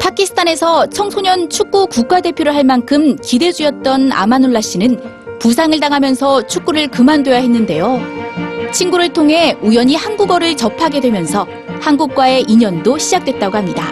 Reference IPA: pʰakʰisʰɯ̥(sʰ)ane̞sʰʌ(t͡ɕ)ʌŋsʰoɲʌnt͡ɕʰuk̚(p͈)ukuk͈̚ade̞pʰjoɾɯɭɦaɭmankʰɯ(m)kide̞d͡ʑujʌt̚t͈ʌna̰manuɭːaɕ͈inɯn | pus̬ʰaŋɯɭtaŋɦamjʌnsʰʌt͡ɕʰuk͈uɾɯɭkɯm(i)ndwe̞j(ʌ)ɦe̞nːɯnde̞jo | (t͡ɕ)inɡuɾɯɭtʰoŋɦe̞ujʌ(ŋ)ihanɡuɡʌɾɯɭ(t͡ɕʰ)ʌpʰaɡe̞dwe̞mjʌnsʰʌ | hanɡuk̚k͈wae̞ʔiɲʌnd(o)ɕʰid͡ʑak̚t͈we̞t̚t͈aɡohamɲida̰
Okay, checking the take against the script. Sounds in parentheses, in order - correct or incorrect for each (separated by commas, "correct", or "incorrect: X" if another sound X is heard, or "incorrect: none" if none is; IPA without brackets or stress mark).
incorrect: tʰ, incorrect: t͡ɕʰ, incorrect: k͈, correct, incorrect: a, incorrect: a, incorrect: t͡ɕʰ, incorrect: ɲ, incorrect: t͡ɕ, correct